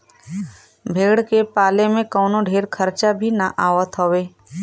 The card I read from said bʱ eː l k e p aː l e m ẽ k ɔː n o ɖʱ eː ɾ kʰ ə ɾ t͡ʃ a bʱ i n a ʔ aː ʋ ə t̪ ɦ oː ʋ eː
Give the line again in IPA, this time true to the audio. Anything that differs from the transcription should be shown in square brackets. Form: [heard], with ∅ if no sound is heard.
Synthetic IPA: bʱ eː [ɽ] k e p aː l e m ẽ k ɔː n o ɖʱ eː ɾ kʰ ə ɾ t͡ʃ a bʱ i n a ʔ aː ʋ ə t̪ ɦ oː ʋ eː